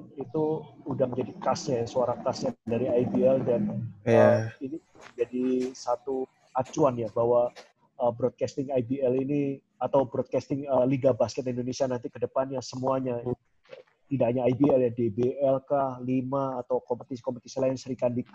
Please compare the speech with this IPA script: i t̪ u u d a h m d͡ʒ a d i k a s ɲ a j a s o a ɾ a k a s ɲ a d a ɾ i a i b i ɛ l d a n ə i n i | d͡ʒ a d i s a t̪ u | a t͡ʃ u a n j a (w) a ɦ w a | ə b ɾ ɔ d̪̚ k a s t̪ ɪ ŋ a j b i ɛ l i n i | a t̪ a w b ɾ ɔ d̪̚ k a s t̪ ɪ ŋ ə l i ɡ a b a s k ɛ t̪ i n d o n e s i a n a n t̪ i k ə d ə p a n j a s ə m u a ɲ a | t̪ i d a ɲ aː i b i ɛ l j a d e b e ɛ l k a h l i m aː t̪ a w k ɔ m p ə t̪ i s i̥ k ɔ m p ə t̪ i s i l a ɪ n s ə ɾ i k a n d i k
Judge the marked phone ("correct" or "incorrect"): incorrect